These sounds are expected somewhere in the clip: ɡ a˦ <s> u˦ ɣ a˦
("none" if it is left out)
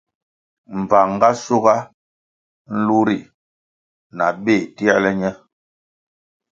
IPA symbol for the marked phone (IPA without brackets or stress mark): s